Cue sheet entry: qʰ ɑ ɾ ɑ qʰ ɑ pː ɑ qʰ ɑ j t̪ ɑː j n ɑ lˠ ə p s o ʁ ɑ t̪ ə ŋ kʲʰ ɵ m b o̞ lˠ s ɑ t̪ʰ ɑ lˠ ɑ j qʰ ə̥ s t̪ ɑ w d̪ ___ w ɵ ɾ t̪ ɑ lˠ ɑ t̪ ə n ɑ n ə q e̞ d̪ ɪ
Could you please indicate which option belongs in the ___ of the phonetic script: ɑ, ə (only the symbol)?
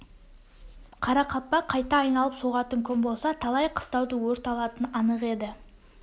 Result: ə